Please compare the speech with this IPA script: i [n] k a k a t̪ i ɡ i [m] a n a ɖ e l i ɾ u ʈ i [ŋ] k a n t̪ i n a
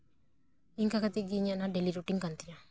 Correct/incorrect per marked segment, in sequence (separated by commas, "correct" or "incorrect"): incorrect, incorrect, correct